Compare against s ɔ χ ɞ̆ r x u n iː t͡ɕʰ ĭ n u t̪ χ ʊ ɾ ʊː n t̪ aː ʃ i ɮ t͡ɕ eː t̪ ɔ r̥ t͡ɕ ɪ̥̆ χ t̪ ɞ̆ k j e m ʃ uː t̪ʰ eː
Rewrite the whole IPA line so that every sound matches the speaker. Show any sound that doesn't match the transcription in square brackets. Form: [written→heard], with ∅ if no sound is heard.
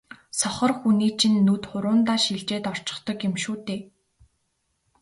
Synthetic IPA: s ɔ χ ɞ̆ r x u n iː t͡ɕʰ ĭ [n→nː] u t̪ χ ʊ ɾ ʊː n t̪ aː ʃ i ɮ t͡ɕ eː t̪ ɔ r̥ t͡ɕ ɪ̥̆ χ t̪ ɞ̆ k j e m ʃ uː [t̪ʰ→t̪] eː

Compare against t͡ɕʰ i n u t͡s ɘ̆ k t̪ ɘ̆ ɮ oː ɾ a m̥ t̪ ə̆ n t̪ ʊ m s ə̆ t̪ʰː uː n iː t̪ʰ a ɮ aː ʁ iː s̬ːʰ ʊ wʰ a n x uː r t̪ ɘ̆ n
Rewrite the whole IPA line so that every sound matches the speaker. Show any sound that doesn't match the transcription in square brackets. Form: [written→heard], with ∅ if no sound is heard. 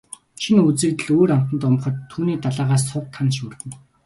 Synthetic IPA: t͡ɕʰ i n u t͡s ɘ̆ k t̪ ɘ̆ ɮ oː ɾ a m̥ t̪ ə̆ n t̪ ʊ m [s→χ] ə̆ t̪ʰː uː n iː [t̪ʰ→t̪] a ɮ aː ʁ [iː→aː] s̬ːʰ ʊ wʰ a n [x→ʃ] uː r t̪ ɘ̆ n

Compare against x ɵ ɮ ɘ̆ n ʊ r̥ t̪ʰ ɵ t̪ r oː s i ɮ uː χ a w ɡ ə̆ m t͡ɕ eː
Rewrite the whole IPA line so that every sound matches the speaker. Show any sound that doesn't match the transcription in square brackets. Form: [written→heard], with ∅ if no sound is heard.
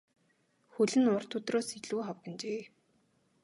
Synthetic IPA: x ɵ ɮ ɘ̆ n ʊ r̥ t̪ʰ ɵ t̪ r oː s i ɮ uː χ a w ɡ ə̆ [m→n] t͡ɕ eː

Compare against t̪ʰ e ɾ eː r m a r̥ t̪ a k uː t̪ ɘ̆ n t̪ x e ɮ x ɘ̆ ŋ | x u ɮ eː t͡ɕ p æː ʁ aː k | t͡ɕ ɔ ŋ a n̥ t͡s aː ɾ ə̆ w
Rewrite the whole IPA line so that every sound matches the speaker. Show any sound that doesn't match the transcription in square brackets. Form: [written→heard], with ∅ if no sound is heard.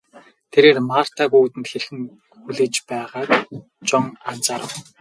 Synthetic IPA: t̪ʰ e ɾ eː r m a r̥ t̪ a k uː t̪ ɘ̆ n t̪ x e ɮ x ɘ̆ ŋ | x u ɮ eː t͡ɕ p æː ʁ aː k | t͡ɕ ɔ ŋ a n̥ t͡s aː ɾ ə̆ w

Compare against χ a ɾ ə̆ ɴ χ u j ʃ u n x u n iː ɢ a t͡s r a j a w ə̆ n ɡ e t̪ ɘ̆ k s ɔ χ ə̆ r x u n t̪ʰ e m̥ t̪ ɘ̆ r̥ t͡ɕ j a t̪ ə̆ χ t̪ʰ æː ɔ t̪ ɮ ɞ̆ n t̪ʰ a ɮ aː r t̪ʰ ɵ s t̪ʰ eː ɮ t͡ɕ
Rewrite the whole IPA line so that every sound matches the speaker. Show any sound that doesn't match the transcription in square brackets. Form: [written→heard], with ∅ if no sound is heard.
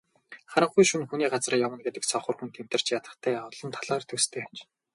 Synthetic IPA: χ a ɾ ə̆ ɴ χ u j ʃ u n x u n iː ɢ a t͡s r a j a w ə̆ n ɡ e t̪ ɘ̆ k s ɔ χ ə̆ r x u n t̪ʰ e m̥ t̪ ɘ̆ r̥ t͡ɕ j a t̪ ə̆ χ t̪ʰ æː ɔ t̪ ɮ ɞ̆ n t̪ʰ a ɮ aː r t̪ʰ ɵ s t̪ʰ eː [ɮ→∅] t͡ɕ

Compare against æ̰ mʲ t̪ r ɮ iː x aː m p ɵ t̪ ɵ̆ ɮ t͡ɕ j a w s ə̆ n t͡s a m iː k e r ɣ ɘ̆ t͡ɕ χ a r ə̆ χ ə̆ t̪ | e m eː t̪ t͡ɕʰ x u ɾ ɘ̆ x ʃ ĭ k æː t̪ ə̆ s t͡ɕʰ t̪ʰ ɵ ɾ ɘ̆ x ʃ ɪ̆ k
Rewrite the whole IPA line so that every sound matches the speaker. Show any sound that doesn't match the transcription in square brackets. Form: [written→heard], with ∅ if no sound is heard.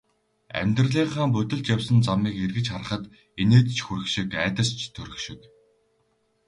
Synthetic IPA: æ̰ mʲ t̪ r ɮ iː [x→χ] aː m p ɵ t̪ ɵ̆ ɮ t͡ɕ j a w s ə̆ n t͡s a m iː k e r ɣ ɘ̆ t͡ɕ χ a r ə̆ χ ə̆ t̪ | e [m→n] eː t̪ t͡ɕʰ x u ɾ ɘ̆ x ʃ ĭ k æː t̪ ə̆ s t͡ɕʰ t̪ʰ ɵ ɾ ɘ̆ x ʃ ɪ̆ k

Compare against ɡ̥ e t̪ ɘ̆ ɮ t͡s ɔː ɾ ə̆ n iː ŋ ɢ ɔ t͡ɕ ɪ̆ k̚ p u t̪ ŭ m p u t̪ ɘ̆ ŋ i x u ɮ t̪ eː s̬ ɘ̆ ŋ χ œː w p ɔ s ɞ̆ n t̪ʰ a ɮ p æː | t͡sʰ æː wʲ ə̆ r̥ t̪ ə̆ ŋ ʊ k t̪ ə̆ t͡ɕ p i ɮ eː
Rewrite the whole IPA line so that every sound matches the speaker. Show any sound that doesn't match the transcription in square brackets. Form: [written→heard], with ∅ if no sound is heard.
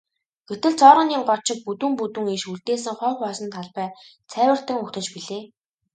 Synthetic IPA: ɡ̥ e t̪ ɘ̆ ɮ t͡s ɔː ɾ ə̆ n iː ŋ ɢ ɔ t͡ɕ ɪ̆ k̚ p u t̪ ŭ m p u t̪ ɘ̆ ŋ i [x→ʃ] u ɮ t̪ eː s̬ ɘ̆ ŋ χ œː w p ɔ s ɞ̆ n t̪ʰ a ɮ p æː | t͡sʰ æː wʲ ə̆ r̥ t̪ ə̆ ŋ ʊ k t̪ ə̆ t͡ɕ p i ɮ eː

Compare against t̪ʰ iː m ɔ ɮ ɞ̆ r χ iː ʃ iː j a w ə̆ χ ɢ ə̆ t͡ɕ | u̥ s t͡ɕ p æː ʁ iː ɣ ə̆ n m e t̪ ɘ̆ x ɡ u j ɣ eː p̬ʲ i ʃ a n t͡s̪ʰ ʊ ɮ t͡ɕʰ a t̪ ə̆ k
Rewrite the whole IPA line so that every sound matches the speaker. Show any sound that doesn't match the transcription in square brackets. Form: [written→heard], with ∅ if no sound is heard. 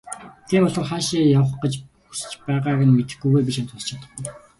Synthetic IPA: t̪ʰ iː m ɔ ɮ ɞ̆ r χ [iː→aː] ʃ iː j a w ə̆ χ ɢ ə̆ t͡ɕ | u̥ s t͡ɕ p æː ʁ [iː→aː] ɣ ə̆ n m e t̪ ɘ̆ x ɡ u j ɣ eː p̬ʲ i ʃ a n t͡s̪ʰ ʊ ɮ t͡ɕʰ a t̪ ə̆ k

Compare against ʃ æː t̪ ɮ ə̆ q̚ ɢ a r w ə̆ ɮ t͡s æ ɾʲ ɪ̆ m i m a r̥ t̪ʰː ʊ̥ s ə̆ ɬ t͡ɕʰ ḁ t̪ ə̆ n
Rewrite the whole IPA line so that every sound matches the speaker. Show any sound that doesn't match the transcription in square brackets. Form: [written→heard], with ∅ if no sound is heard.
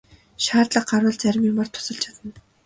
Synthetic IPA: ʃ [æː→aː] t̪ ɮ ə̆ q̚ ɢ a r w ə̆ ɮ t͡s æ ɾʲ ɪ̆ m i m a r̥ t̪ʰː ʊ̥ s ə̆ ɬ t͡ɕʰ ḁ t̪ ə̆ n

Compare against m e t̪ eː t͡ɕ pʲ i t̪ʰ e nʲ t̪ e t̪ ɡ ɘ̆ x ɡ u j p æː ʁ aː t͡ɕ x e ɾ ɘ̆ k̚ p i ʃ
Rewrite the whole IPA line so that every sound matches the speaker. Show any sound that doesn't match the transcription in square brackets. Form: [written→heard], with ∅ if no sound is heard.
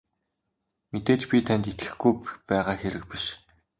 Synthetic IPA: m e t̪ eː t͡ɕ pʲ i t̪ʰ [e→æ] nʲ t̪ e t̪ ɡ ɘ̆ x ɡ u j p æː ʁ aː [t͡ɕ→∅] x e ɾ ɘ̆ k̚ p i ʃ

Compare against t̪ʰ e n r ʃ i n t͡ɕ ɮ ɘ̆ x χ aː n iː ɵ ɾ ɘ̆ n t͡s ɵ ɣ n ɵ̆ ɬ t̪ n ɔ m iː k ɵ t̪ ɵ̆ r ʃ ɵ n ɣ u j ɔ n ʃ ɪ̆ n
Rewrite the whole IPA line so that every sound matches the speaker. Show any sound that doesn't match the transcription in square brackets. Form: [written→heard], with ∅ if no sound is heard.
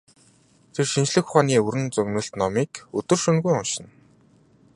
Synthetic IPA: t̪ʰ e [n→∅] r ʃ i n t͡ɕ ɮ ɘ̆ x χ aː n iː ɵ ɾ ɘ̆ n t͡s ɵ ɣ n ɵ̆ ɬ t̪ n ɔ m iː k ɵ t̪ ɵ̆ r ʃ ɵ n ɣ u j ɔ n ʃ ɪ̆ n

